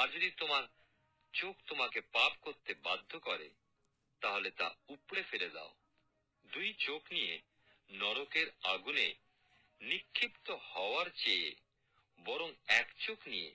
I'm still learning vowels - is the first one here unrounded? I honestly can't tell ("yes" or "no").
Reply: yes